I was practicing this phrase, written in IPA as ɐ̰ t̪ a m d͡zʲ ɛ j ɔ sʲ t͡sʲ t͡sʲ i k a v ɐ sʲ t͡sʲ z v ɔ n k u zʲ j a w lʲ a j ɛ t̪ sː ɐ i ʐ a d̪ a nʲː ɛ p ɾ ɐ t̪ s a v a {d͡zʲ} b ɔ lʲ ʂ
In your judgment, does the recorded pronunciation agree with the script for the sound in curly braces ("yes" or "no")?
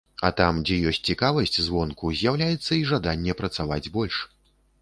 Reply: yes